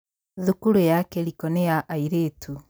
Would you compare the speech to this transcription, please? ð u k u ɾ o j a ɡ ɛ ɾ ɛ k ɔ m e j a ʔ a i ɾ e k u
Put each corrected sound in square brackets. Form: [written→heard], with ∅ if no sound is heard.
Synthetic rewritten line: ð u k u ɾ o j a [ɡ→k] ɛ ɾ [ɛ→i] k ɔ [m→n] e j a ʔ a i ɾ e [k→t] u